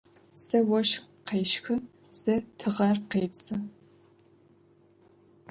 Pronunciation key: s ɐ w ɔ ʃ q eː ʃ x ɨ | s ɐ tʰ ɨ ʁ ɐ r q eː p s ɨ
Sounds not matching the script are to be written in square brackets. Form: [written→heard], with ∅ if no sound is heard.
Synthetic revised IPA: s ɐ w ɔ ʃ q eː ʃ x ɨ | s ɐ tʰ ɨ ʁ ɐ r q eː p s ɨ